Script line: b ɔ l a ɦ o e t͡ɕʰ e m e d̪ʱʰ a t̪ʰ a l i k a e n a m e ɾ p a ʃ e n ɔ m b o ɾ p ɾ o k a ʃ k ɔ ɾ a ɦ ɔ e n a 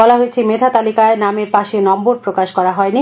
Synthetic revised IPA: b ɔ l a ɦ o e t͡ɕʰ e m e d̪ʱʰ a t̪ a l i k a e n a m e ɾ p a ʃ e n ɔ m b o ɾ p ɾ o k a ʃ k ɔ ɾ a ɦ ɔ e n i